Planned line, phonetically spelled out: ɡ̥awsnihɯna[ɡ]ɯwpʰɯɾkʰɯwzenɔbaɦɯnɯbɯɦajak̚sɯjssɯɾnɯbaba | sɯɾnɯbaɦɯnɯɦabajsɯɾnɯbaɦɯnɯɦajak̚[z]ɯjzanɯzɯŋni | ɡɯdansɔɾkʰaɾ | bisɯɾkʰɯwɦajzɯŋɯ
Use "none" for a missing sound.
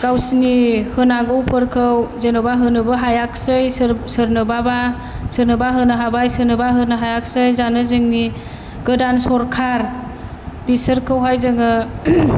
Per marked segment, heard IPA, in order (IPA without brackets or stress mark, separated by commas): ɡ, s